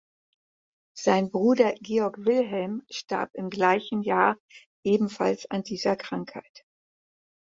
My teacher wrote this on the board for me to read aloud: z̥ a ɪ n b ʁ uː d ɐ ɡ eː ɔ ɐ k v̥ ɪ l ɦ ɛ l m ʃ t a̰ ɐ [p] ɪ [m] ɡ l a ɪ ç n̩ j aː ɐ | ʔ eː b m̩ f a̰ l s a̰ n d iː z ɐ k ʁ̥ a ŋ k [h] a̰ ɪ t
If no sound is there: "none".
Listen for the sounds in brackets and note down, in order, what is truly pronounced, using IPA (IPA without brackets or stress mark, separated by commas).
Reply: p, m, h